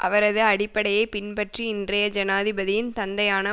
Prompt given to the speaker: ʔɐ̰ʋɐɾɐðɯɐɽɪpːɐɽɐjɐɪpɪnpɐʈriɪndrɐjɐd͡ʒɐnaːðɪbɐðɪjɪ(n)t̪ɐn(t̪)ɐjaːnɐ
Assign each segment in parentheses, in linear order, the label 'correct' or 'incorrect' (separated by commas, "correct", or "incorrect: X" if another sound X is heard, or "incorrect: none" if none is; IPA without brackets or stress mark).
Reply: correct, incorrect: d̪